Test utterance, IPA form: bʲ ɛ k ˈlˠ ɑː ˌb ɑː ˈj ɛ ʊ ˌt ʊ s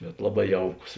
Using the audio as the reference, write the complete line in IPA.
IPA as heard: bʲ ɛ t ˈlˠ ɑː ˌb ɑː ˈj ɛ ʊ ˌk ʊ s